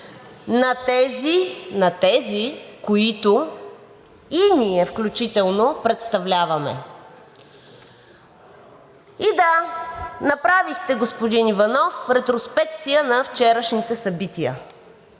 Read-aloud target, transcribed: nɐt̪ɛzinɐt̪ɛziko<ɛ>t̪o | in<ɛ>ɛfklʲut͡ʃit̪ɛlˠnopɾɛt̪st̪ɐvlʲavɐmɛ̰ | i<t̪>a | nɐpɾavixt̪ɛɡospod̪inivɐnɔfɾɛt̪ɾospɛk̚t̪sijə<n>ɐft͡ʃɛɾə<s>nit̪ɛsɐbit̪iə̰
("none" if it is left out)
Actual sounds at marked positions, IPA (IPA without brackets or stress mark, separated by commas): i, i, d̪, n, ʃ